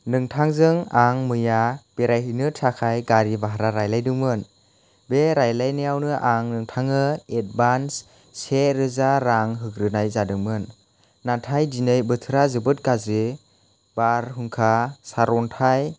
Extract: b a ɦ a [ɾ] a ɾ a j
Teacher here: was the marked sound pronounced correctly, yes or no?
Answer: yes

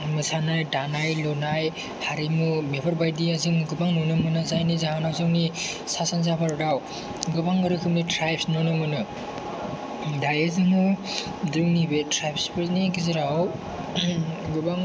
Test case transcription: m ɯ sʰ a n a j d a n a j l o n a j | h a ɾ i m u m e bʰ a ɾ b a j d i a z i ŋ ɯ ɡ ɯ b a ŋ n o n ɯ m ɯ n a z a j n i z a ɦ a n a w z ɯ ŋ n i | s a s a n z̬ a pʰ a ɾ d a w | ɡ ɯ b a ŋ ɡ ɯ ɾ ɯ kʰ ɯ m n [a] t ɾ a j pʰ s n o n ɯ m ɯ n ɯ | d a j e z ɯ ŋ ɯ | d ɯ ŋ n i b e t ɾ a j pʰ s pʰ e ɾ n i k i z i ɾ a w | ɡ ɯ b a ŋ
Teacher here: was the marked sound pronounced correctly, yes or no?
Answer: no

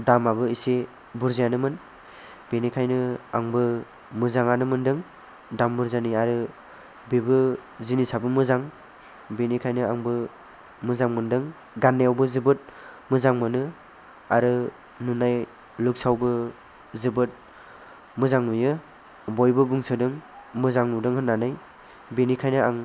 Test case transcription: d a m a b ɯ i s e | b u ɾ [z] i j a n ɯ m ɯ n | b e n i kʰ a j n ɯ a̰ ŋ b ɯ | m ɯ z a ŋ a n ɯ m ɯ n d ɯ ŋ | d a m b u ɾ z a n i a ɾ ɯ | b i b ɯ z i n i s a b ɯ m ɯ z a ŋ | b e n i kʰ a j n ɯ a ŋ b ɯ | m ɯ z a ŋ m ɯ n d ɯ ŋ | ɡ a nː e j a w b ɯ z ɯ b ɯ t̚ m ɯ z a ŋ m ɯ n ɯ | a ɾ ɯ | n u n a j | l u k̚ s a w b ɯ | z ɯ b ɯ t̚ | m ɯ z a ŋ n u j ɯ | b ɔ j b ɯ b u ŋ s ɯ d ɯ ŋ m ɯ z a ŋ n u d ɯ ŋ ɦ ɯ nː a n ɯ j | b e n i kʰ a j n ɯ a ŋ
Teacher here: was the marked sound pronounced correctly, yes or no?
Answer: yes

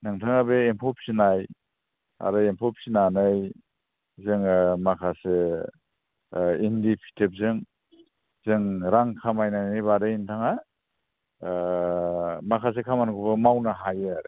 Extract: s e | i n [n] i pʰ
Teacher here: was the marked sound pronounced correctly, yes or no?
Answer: no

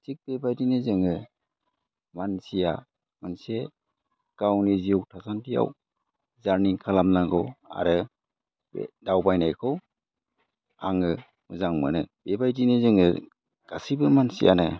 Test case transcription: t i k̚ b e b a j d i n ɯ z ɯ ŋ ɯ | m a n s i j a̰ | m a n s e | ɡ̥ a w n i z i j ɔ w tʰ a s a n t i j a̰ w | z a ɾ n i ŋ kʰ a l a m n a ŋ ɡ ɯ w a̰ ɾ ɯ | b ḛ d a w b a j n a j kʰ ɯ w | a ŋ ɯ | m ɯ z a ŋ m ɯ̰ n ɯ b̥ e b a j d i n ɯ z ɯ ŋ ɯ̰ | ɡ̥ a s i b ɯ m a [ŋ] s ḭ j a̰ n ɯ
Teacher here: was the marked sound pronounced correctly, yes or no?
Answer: no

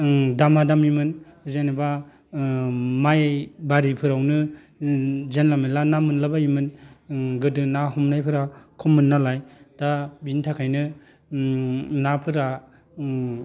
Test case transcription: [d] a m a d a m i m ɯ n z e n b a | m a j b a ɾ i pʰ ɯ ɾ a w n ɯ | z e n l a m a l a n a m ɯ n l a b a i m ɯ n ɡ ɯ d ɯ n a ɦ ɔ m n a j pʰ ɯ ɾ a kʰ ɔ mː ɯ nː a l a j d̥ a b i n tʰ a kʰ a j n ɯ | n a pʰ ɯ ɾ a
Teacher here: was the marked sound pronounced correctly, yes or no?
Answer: yes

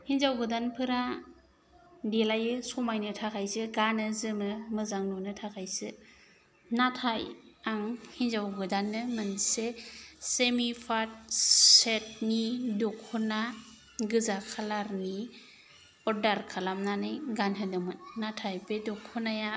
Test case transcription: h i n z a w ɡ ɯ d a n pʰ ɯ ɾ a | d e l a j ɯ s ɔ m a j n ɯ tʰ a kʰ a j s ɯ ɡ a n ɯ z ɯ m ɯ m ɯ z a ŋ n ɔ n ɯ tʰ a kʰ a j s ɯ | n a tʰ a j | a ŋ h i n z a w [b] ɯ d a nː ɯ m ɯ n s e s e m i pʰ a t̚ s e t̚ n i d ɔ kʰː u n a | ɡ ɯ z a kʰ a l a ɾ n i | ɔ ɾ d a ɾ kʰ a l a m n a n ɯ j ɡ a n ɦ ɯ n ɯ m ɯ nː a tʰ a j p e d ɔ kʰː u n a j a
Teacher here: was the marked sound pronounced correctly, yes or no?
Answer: no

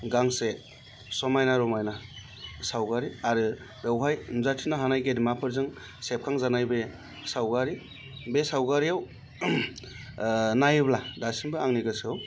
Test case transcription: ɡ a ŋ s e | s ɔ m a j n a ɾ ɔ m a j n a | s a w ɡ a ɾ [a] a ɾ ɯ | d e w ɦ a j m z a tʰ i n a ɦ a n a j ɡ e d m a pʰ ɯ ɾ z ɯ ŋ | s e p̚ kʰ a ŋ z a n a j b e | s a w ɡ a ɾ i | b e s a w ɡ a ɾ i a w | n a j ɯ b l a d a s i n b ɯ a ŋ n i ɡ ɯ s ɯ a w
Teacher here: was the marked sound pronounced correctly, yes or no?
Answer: no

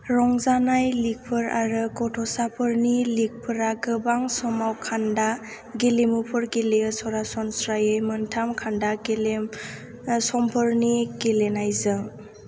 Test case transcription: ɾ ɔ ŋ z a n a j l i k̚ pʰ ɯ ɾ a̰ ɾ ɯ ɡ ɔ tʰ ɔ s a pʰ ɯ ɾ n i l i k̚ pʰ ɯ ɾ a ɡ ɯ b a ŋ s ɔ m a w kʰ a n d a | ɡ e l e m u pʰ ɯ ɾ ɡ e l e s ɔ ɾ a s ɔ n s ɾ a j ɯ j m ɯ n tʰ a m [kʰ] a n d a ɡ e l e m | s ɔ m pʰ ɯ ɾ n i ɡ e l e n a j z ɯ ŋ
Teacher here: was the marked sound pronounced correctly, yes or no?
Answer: yes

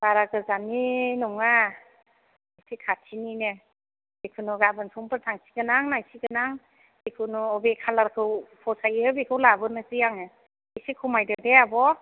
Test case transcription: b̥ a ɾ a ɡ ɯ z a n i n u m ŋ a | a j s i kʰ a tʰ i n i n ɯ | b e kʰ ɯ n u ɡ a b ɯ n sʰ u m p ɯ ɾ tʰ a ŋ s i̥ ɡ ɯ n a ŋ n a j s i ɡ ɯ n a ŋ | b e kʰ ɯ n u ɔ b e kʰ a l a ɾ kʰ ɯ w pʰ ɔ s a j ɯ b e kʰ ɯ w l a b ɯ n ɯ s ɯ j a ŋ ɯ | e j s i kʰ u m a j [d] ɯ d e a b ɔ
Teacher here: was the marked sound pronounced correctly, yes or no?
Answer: yes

